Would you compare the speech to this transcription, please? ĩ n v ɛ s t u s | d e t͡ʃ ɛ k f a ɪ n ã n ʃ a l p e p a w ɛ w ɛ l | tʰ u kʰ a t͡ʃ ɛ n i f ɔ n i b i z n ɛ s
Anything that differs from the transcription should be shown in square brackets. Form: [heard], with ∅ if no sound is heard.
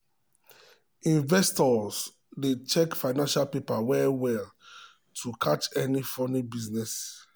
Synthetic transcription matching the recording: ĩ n v ɛ s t [ɔ] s | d e t͡ʃ ɛ k f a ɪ n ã n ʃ a l p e p a w ɛ w ɛ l | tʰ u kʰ a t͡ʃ ɛ n i f ɔ n i b i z n ɛ s